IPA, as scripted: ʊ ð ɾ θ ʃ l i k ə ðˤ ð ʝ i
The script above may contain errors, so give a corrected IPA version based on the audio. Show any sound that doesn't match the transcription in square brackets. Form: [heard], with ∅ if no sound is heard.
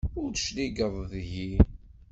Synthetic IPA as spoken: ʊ [∅] ɾ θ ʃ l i [ɡ] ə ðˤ ð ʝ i